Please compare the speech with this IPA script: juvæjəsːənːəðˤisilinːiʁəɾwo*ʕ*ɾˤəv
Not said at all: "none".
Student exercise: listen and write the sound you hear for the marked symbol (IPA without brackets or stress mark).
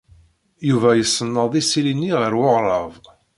ʁ